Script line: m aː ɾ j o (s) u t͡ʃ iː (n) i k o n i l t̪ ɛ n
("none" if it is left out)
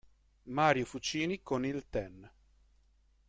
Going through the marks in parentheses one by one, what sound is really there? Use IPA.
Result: f, n

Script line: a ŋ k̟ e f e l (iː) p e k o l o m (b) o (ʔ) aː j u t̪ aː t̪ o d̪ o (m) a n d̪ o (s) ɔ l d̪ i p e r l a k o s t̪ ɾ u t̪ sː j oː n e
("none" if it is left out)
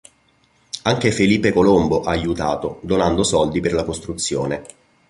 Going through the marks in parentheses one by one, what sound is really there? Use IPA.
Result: iː, b, ʔ, n, s

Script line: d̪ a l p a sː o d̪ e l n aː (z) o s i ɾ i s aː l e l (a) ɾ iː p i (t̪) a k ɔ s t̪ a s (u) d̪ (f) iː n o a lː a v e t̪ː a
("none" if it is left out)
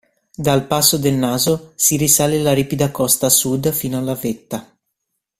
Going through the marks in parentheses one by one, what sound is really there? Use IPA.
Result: z, a, d̪, u, f

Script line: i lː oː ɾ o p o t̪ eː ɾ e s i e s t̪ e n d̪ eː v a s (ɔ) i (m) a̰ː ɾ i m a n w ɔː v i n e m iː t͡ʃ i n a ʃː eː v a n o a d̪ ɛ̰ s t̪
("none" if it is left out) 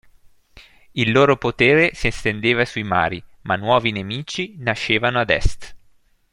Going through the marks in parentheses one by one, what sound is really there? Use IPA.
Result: u, m

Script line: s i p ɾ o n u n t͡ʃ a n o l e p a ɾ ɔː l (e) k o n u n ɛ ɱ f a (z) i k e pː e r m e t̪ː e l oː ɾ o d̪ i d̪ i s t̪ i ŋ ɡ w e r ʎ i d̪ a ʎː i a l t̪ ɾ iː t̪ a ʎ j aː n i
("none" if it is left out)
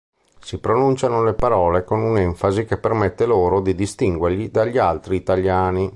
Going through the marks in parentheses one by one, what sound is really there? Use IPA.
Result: e, z

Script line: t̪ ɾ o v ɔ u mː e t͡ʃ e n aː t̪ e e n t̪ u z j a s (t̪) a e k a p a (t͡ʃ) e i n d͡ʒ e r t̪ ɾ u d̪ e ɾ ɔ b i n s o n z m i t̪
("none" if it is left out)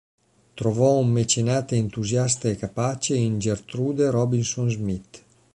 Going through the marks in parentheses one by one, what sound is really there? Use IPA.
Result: t̪, t͡ʃ

